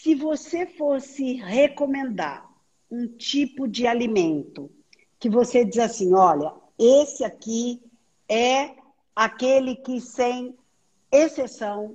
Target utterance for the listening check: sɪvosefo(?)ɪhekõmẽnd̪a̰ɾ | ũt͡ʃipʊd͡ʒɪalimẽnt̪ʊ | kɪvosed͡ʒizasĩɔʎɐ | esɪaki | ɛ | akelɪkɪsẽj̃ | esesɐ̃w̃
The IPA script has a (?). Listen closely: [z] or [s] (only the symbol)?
s